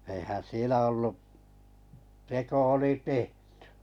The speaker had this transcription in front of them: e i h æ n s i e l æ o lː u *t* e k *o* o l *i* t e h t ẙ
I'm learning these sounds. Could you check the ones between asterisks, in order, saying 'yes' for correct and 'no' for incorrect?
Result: yes, yes, yes

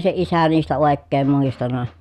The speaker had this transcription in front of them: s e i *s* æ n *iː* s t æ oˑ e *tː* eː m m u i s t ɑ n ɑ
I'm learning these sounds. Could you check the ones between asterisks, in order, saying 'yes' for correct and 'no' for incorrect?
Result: yes, yes, no

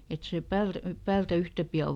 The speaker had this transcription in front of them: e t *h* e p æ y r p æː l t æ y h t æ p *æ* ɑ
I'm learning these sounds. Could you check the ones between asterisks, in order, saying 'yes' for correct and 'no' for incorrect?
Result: no, no

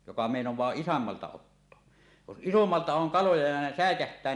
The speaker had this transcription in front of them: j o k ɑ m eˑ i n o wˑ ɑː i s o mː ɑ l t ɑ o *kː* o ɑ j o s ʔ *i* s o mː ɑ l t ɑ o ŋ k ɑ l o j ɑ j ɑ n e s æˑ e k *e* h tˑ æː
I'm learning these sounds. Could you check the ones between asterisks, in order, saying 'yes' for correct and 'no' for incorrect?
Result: no, yes, no

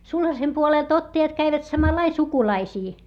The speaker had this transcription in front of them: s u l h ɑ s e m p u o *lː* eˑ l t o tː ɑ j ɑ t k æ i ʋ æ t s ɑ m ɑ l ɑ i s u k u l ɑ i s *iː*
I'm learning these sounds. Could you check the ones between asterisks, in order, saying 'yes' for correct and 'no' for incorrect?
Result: no, yes

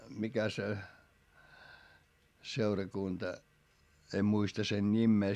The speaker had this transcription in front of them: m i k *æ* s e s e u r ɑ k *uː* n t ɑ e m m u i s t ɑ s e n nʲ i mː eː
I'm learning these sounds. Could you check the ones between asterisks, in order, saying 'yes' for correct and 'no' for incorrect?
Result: yes, no

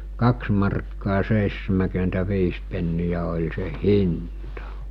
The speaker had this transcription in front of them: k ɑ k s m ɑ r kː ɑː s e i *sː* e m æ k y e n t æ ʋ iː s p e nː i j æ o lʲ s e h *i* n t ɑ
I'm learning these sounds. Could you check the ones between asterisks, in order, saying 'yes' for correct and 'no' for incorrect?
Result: yes, yes

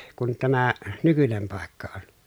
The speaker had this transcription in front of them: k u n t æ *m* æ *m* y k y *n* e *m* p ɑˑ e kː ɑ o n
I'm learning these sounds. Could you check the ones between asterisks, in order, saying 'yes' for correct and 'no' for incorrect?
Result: yes, no, yes, yes

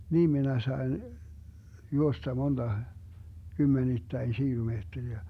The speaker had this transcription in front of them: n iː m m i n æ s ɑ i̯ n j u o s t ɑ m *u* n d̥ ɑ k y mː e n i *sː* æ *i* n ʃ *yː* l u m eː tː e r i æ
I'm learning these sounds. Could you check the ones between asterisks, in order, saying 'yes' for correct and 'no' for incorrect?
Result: no, no, yes, no

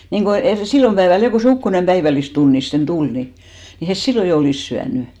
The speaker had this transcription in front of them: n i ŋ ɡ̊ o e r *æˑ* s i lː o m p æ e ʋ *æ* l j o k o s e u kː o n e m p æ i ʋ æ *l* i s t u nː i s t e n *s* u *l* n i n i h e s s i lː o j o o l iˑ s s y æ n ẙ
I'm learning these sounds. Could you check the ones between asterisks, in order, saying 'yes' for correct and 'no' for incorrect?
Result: no, yes, no, no, yes

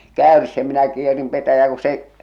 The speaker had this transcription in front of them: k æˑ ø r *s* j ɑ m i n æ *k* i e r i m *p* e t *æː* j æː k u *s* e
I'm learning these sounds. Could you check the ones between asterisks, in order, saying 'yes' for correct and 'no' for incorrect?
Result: yes, yes, yes, no, yes

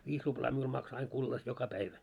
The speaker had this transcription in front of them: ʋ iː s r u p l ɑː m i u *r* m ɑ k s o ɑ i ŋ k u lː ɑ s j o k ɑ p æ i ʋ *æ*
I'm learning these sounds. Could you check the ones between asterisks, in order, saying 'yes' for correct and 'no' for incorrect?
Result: no, yes

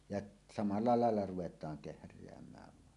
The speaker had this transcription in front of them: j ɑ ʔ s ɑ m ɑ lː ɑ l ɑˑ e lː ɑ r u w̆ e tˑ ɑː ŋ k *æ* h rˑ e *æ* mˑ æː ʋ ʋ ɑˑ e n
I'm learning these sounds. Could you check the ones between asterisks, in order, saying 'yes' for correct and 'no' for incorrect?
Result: no, yes

